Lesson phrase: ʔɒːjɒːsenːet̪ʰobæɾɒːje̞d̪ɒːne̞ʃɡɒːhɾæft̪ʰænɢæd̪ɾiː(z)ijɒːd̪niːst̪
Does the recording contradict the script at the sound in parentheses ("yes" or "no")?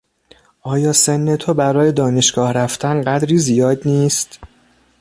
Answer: no